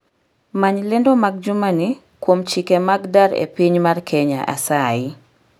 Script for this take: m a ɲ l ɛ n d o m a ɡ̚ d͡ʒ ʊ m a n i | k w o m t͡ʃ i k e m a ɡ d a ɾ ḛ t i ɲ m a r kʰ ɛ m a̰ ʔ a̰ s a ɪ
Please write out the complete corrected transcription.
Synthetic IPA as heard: m a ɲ l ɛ n d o m a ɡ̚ d͡ʒ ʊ m a n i | k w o m t͡ʃ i k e m a ɡ d a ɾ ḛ p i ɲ m a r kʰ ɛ ɲ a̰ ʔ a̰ s a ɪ